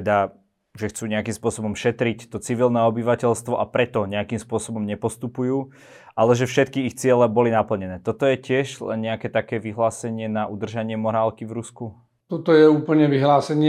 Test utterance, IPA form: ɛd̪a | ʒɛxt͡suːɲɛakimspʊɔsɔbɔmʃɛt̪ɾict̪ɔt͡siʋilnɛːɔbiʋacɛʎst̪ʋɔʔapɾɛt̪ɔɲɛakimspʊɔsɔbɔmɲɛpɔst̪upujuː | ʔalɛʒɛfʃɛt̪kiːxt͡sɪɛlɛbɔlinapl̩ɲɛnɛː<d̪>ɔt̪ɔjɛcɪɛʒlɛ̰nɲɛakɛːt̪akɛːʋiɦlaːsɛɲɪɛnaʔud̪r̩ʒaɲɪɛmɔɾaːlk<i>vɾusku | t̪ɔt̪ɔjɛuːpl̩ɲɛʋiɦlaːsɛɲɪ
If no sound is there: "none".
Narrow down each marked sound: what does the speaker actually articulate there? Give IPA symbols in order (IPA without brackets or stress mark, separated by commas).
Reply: t̪, i